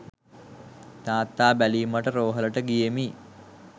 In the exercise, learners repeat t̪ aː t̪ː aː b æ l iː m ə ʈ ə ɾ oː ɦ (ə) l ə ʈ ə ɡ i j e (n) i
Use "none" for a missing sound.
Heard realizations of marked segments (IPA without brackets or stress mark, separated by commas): ə, m